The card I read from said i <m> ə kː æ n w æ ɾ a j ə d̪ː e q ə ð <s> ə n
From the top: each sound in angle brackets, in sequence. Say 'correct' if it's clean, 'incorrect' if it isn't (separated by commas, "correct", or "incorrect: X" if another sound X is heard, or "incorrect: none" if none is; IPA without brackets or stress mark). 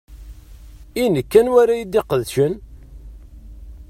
incorrect: n, incorrect: ʃ